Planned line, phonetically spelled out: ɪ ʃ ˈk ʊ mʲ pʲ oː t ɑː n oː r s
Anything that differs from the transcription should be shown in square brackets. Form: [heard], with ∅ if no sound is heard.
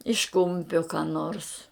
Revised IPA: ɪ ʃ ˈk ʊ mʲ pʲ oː [k] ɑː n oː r s